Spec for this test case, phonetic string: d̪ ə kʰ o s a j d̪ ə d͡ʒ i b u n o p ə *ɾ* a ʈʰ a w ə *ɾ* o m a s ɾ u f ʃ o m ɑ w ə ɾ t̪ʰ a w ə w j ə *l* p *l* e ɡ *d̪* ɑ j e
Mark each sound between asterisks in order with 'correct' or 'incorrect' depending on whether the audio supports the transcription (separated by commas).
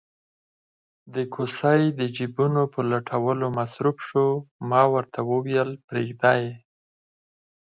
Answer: incorrect, incorrect, correct, incorrect, correct